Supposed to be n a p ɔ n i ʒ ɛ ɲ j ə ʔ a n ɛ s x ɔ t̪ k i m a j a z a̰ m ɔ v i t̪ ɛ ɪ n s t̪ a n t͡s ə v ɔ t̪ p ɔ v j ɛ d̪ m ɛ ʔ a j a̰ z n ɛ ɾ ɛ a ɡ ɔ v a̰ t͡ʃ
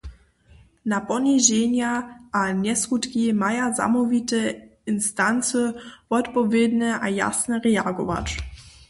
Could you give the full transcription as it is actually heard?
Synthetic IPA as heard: n a p ɔ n i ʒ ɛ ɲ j a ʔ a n ɛ s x u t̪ k i m a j a z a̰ m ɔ v i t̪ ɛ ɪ n s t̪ a n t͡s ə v ɔ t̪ p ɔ v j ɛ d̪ n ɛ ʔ a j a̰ s n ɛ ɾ ɛ a ɡ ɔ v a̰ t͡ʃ